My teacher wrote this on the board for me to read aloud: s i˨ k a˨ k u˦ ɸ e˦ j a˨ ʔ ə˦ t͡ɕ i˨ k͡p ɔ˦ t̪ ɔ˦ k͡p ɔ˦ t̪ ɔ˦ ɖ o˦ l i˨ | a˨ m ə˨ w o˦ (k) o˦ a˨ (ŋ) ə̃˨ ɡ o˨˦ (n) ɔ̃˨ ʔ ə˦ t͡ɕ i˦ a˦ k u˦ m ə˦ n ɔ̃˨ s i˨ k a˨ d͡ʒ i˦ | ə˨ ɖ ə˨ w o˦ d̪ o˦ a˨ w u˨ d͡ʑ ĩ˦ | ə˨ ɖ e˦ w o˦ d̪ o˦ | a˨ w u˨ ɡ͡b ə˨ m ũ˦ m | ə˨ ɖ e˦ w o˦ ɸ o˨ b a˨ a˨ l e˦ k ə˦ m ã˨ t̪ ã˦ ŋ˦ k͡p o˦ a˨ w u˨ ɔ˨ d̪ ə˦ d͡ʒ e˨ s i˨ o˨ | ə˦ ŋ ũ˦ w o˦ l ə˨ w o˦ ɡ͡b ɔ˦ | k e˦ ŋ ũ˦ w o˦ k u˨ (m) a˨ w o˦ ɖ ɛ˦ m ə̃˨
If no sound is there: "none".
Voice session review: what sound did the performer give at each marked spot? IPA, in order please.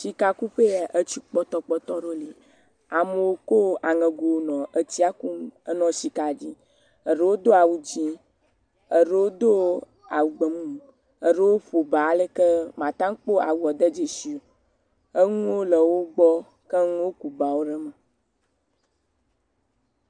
k, ŋ, n, b

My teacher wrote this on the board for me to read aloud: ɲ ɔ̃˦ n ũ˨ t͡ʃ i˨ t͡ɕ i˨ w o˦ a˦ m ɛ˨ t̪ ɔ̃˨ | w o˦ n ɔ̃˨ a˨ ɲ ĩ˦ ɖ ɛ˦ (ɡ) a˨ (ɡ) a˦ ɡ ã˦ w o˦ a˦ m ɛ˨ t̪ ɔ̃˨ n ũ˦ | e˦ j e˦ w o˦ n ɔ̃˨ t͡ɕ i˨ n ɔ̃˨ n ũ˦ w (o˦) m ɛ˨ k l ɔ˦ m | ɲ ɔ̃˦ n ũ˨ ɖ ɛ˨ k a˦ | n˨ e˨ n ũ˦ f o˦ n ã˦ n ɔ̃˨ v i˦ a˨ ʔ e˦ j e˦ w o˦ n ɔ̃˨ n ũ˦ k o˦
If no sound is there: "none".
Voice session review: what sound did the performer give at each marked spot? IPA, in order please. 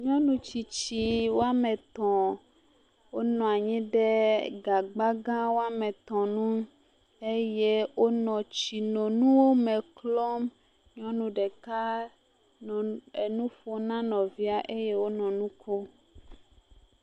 ɡ, ɡ͡b, o˦

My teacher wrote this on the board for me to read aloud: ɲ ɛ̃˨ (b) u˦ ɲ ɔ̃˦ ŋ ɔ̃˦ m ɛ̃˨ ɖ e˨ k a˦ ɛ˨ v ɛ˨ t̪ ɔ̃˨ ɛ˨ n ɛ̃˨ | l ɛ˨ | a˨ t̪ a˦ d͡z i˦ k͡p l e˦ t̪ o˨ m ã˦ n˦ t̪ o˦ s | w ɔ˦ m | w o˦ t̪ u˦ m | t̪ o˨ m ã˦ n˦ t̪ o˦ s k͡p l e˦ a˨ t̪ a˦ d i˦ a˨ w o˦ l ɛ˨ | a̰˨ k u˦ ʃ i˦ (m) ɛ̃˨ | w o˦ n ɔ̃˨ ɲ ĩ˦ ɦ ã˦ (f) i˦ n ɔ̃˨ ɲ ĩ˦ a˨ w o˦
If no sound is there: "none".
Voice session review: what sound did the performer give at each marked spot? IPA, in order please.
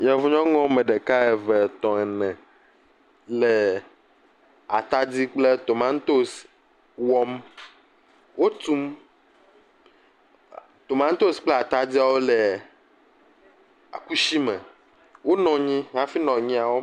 v, m, f

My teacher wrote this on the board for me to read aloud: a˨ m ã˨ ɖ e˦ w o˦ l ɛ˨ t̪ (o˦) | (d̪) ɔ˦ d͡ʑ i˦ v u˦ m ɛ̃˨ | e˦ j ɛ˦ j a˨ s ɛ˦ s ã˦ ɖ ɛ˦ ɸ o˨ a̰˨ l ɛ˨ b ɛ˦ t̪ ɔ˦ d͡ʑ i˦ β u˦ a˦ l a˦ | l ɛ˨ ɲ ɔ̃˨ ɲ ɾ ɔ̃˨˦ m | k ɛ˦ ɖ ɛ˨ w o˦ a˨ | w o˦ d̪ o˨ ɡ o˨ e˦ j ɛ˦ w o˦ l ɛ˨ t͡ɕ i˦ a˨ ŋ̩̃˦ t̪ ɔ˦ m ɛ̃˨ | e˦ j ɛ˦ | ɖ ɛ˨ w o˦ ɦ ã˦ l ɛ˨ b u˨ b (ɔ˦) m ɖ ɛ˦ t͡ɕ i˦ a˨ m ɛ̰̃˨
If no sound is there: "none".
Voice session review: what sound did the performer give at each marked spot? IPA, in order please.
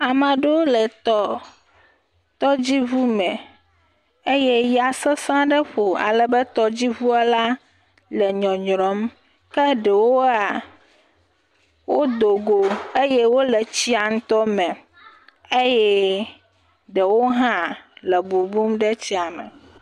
ɔ˦, t̪, u˦

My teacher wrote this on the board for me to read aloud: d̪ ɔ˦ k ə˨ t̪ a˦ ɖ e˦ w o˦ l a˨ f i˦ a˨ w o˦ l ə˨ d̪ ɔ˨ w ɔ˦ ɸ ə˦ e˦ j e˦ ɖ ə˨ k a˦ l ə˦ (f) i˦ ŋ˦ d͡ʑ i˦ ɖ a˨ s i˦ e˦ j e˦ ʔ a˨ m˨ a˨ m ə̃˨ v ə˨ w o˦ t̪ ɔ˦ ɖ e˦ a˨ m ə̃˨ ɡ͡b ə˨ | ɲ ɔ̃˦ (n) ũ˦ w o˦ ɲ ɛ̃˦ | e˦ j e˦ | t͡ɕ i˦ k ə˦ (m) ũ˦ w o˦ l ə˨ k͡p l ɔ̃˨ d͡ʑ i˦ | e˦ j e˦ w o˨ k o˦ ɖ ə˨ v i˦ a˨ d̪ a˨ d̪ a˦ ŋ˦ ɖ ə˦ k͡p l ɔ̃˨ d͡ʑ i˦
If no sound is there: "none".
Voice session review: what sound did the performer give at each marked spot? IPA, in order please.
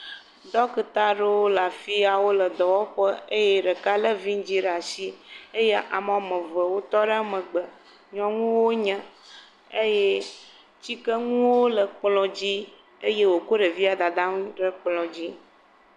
v, ŋ, ŋ

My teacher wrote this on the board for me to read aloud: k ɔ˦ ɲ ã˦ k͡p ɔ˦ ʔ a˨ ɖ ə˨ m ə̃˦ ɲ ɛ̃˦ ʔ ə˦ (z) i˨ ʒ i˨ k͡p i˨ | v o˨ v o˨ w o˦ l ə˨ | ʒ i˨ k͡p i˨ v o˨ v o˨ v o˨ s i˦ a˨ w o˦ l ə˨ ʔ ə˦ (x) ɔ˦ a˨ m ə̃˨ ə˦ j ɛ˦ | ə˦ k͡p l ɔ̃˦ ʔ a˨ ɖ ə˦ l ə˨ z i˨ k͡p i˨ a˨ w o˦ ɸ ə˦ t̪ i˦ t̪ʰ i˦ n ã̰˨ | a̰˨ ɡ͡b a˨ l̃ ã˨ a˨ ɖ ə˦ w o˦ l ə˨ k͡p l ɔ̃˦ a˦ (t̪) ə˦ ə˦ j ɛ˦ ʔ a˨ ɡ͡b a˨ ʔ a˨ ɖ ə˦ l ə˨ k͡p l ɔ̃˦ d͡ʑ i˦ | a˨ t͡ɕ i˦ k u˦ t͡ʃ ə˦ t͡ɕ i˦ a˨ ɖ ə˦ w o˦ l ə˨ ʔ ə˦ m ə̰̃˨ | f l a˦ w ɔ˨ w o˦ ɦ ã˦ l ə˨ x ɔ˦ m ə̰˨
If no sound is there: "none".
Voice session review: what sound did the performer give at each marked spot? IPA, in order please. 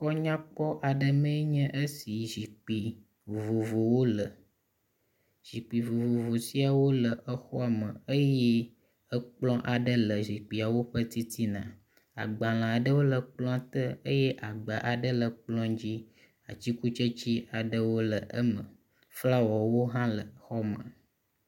s, x, t̪

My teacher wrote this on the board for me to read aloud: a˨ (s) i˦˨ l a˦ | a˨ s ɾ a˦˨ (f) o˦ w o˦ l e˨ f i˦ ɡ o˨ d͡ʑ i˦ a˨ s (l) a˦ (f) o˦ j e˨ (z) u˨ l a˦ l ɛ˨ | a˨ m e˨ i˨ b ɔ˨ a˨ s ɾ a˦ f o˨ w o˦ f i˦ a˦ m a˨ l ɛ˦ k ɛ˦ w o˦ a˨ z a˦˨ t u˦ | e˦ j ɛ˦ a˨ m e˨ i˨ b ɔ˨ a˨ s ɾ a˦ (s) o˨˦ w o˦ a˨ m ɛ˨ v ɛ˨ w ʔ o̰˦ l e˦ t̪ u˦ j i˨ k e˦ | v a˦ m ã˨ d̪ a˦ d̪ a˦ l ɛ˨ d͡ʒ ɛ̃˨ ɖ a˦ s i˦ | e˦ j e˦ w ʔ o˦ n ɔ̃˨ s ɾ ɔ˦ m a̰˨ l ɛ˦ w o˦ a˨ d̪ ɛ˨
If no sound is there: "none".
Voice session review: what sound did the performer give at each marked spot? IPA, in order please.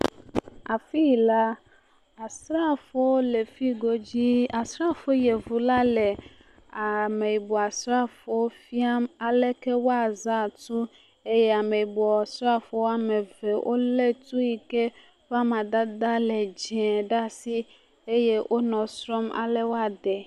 f, f, ɾ, f, v, f

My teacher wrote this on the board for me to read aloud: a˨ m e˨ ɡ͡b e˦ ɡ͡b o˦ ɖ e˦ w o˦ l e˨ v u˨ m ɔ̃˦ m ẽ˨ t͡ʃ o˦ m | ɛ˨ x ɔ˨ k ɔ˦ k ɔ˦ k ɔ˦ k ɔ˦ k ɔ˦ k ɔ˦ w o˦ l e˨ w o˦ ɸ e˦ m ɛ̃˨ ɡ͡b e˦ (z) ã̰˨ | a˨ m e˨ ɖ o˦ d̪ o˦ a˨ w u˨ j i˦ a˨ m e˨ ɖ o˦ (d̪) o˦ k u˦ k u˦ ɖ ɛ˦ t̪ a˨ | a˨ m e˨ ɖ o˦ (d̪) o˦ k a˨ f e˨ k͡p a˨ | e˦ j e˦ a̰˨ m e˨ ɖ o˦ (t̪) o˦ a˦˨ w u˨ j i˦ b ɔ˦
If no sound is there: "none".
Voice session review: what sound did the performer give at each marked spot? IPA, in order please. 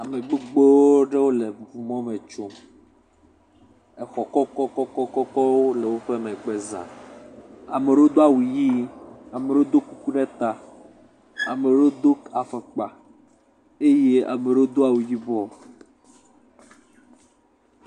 z, d̪, d̪, d̪

